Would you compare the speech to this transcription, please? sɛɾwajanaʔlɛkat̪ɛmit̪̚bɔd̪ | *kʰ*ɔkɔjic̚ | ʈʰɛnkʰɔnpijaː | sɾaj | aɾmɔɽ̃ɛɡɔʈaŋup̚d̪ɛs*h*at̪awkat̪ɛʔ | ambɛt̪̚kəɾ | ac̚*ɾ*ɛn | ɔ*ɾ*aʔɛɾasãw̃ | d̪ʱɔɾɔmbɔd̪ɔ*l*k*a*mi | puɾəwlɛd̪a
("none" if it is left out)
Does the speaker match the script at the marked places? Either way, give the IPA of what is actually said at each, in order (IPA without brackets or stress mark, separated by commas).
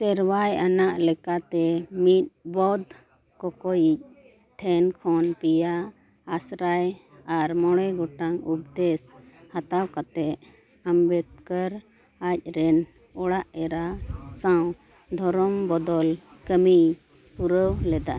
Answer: k, h, ɾ, ɽ, l, ə